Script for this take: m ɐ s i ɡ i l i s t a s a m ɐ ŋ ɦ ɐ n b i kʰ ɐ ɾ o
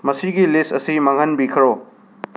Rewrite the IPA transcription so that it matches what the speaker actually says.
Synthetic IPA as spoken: m ɐ s i ɡ i l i s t ɐ s i m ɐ ŋ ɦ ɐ n b i kʰ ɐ ɾ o